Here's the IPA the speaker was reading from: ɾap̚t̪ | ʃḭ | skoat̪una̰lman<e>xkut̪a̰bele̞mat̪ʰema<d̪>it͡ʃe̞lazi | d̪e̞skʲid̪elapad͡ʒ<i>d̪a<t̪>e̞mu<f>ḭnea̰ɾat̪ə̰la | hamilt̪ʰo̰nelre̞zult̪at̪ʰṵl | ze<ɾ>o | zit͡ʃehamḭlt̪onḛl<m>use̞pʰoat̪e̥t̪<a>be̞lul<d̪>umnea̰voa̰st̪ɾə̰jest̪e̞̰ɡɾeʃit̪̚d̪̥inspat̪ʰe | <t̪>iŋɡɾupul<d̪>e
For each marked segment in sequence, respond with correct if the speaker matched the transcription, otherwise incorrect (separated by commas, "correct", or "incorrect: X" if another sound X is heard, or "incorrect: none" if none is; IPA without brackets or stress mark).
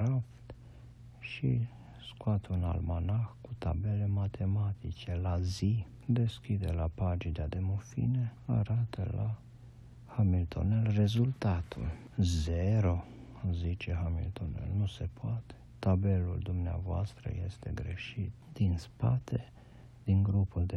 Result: incorrect: a, incorrect: t̪, correct, incorrect: d̪, correct, correct, incorrect: n, correct, correct, incorrect: d̪, correct